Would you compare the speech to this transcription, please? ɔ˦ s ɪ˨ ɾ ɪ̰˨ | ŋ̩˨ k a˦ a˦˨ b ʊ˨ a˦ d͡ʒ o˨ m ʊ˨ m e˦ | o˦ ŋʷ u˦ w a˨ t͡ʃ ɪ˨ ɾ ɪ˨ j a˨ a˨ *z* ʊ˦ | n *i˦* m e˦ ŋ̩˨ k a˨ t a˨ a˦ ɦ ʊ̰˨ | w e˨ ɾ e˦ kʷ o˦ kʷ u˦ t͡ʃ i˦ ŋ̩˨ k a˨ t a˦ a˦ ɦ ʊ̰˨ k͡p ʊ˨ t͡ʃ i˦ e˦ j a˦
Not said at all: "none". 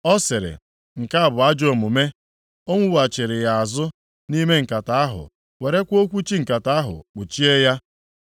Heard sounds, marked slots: z, i˦

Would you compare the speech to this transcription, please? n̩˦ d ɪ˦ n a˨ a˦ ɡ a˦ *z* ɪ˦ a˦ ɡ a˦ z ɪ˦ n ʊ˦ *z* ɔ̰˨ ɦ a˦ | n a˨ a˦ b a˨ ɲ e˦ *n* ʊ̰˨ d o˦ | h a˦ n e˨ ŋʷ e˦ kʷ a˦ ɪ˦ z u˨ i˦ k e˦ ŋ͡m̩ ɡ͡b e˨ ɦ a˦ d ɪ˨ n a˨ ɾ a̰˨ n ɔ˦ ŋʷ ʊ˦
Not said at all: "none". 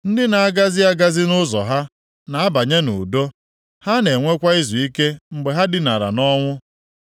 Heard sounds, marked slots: z, z, n

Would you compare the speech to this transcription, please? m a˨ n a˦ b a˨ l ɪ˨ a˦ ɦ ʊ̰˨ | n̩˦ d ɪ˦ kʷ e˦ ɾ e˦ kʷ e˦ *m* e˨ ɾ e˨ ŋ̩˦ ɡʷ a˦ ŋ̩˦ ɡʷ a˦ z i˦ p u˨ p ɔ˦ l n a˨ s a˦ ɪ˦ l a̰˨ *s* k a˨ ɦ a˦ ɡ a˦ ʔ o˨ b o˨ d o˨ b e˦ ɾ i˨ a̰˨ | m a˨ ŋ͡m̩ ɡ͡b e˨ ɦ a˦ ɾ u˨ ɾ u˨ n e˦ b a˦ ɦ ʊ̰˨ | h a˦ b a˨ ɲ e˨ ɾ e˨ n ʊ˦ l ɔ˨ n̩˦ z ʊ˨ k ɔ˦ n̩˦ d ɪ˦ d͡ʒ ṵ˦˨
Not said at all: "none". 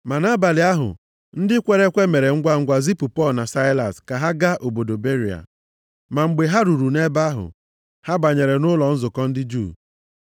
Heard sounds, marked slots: m, s

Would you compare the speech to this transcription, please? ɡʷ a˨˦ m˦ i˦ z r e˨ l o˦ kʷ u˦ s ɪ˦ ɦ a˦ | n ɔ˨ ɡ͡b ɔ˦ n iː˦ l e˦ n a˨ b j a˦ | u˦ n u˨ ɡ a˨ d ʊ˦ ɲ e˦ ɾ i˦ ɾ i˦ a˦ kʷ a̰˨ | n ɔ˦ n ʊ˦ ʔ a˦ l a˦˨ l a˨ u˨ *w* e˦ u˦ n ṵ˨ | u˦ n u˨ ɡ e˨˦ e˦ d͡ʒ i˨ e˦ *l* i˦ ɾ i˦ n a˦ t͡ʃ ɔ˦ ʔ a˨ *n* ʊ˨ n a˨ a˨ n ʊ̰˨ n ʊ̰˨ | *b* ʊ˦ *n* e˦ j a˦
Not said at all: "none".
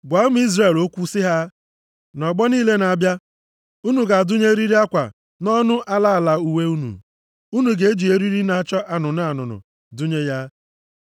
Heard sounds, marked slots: w, ɾ, n, d, ɲ

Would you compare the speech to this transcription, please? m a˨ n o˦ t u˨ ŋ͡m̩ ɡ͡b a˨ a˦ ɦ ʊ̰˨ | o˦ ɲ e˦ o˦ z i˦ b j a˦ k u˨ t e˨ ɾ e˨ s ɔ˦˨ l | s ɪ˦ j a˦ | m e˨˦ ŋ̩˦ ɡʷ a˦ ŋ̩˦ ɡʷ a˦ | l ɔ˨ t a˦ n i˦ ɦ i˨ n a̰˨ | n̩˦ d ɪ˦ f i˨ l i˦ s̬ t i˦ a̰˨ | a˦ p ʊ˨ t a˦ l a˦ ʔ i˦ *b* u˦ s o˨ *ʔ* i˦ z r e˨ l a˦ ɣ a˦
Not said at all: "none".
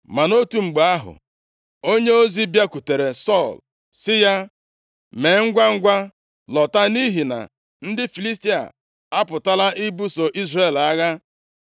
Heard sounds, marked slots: b, ʔ

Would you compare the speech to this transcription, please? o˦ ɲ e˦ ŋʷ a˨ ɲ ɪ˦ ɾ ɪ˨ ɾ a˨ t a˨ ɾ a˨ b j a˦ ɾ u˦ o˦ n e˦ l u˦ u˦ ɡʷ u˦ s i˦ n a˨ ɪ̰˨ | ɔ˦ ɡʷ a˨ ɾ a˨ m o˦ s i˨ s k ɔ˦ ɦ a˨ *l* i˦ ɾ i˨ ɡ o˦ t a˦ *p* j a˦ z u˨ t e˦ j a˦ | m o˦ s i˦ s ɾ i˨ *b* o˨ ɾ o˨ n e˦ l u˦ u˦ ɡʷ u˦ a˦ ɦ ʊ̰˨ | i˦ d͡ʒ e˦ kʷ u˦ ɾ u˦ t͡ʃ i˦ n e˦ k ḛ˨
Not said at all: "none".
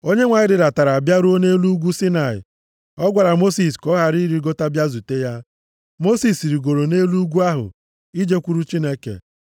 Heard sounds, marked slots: ɾ, b, ɡ

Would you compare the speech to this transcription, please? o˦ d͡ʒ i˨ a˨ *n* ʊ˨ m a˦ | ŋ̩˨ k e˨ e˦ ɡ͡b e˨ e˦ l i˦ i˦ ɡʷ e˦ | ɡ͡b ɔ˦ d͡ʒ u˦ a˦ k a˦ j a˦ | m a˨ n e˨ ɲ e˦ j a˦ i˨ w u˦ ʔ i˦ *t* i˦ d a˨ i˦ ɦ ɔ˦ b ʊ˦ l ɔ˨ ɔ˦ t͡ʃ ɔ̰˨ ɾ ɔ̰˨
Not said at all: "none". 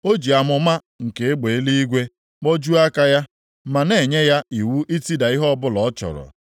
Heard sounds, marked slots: m, t

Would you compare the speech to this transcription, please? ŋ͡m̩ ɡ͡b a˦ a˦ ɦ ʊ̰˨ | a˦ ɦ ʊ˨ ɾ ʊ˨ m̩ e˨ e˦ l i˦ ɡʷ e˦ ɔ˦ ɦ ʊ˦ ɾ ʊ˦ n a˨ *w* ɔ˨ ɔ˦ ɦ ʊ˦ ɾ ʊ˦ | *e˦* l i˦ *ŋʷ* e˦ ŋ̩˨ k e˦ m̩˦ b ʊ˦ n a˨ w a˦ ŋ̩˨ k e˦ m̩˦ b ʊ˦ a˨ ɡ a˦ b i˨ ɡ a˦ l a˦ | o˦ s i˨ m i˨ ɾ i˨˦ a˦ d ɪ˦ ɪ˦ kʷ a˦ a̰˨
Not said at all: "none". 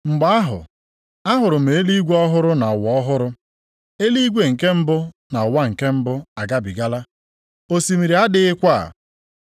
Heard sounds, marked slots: w, e˦, ɡʷ

